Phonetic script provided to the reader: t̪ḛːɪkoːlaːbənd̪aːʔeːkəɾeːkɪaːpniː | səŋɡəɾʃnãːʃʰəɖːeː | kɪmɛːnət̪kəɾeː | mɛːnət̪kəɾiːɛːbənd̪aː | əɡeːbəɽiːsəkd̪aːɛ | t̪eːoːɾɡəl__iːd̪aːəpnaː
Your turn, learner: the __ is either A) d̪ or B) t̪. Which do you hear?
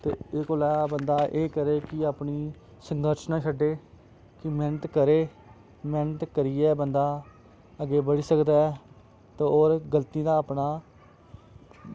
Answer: B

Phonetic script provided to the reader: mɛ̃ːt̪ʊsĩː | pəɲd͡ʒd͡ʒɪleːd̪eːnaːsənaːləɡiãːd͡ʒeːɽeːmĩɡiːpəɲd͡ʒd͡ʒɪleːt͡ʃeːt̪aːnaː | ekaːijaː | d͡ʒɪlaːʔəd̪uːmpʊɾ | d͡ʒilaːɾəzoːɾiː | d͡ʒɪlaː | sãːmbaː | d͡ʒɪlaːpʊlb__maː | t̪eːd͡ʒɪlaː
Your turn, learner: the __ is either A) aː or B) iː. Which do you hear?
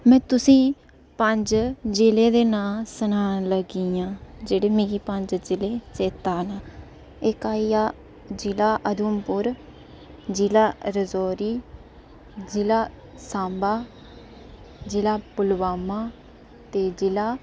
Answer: A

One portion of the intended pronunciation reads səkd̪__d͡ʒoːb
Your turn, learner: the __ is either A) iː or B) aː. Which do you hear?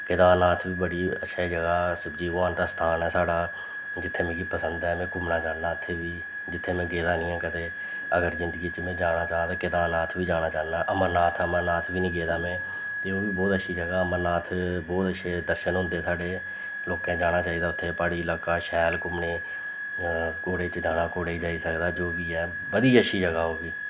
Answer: B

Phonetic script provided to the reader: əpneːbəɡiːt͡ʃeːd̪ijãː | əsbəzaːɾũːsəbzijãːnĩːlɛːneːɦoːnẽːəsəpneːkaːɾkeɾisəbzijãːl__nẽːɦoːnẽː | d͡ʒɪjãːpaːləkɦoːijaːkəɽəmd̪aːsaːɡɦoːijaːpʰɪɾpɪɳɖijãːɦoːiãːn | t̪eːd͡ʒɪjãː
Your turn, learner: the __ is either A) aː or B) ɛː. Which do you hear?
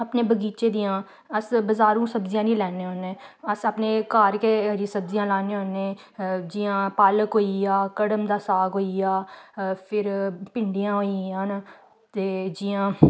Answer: A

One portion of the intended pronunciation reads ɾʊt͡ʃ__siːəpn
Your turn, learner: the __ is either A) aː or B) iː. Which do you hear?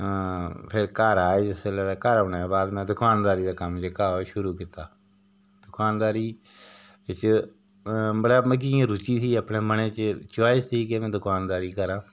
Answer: B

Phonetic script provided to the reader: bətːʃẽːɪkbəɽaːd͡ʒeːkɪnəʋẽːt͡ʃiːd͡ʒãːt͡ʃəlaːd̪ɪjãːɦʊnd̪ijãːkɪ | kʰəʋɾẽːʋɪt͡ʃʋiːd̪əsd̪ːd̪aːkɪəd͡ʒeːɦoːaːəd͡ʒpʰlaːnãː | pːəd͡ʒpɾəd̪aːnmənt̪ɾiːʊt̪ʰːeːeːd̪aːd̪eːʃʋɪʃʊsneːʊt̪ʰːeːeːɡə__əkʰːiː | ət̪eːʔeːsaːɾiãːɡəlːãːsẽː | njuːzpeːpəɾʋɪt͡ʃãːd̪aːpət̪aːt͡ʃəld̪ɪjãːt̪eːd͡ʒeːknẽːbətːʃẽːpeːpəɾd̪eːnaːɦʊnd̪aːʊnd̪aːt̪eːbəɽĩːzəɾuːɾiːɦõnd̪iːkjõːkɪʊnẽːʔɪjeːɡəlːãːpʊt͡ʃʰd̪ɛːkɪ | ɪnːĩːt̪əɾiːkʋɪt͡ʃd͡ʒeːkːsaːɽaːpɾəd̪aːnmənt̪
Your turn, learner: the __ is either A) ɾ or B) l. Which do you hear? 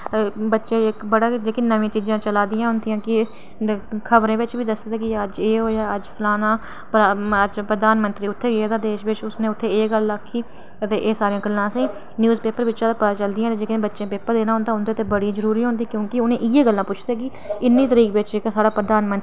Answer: B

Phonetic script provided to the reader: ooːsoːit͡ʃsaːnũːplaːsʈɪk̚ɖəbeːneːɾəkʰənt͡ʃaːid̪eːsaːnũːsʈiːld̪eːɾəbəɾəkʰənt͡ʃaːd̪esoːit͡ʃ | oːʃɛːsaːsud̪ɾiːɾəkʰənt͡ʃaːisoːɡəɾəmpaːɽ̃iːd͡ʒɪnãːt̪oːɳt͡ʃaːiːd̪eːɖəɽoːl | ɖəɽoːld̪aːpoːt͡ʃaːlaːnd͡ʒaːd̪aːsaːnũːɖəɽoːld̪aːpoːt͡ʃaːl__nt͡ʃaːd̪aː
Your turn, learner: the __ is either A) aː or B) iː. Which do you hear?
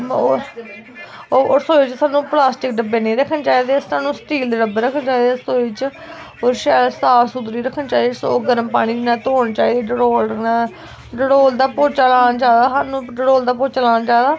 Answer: A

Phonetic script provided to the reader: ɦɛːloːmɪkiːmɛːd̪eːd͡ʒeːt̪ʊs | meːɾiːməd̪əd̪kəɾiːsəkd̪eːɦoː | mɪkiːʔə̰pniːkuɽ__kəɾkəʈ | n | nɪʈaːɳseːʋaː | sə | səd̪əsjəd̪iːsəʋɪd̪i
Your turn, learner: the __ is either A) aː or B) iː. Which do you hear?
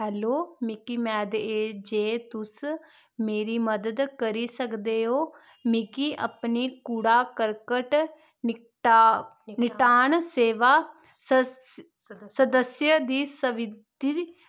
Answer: A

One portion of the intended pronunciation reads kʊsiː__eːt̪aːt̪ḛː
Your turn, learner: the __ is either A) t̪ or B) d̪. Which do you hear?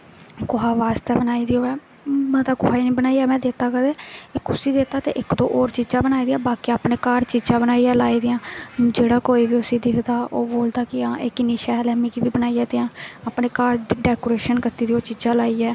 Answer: B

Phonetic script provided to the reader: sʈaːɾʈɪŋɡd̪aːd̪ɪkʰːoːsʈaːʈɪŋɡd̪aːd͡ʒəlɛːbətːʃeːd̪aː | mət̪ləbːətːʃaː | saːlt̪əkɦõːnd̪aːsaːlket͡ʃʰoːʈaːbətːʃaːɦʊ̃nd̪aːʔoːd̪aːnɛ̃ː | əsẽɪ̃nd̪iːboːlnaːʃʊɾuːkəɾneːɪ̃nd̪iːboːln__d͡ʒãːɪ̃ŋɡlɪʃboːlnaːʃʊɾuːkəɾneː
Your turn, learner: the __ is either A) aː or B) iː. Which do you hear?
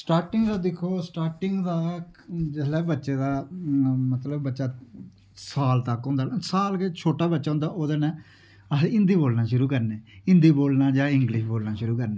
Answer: A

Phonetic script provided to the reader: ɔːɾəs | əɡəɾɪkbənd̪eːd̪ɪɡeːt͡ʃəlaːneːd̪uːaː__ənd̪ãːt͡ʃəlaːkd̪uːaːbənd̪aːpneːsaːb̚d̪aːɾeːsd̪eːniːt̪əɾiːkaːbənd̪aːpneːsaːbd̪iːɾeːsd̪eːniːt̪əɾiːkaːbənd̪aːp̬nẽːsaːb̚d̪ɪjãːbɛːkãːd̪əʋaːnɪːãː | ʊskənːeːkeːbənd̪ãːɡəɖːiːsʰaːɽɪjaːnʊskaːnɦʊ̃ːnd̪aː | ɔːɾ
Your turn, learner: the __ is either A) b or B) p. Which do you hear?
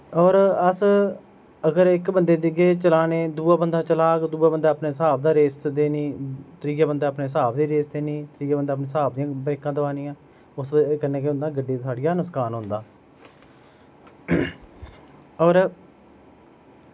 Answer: A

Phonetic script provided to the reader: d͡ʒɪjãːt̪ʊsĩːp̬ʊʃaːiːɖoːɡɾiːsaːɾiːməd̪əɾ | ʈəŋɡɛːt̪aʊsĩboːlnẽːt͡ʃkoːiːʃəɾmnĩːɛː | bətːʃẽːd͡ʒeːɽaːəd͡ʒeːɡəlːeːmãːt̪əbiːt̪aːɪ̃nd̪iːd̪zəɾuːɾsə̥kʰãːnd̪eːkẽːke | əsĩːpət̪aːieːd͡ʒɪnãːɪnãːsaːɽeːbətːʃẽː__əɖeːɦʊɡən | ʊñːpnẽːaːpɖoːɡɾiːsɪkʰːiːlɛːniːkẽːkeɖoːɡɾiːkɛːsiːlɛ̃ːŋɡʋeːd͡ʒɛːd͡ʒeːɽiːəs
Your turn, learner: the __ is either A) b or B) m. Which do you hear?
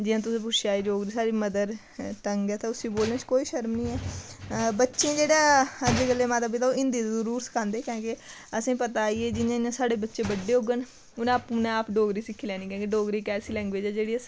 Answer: A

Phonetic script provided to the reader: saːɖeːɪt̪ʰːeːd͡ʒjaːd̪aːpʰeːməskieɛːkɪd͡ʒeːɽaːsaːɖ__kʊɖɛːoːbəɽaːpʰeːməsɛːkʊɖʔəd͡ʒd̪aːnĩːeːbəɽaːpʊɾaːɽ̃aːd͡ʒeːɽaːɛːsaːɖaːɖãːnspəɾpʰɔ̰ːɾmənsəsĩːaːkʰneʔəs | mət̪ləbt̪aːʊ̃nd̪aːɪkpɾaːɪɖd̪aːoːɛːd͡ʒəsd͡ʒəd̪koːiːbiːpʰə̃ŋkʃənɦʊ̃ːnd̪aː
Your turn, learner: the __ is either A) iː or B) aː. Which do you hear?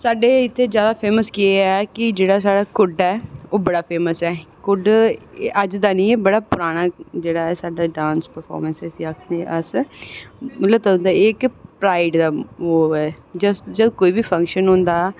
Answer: B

